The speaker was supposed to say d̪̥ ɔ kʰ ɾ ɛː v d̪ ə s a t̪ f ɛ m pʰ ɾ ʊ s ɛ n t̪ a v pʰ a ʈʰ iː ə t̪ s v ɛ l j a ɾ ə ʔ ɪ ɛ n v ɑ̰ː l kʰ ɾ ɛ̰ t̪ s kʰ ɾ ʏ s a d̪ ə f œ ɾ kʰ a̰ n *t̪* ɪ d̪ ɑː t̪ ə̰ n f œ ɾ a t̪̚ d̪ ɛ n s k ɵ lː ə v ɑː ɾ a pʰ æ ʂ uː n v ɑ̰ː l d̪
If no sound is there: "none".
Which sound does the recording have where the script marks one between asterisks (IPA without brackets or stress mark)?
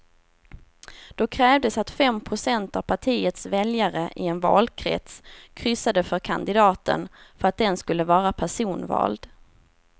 d̪